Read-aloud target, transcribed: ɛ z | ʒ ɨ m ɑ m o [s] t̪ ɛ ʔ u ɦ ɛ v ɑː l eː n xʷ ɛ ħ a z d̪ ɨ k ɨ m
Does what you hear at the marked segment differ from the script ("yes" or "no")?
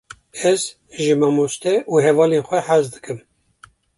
no